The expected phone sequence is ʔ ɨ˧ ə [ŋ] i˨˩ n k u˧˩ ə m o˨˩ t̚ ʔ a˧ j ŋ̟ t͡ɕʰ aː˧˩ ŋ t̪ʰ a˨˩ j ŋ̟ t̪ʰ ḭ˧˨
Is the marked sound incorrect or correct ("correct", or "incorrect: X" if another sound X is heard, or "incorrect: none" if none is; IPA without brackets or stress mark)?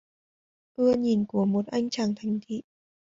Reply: incorrect: ɲ